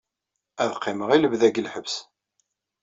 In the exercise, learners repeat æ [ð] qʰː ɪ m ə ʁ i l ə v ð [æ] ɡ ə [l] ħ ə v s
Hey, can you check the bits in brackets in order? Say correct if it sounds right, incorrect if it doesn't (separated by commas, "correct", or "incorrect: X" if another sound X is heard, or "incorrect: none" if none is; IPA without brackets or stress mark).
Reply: correct, correct, correct